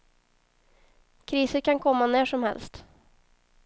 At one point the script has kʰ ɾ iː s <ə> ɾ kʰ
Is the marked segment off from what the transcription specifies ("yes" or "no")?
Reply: no